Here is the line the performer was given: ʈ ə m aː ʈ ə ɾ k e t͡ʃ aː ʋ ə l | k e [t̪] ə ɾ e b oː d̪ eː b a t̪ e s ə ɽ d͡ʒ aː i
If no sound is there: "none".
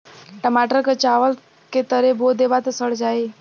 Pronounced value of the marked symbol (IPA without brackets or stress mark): t̪